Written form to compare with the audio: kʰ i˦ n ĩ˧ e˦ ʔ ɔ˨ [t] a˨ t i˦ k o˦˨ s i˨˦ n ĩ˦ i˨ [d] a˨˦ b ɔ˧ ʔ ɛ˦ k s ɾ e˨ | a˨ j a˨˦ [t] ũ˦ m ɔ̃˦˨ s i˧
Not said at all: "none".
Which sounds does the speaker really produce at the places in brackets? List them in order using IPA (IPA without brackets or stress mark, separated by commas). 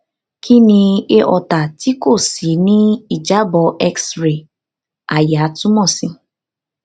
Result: t, d͡ʒ, t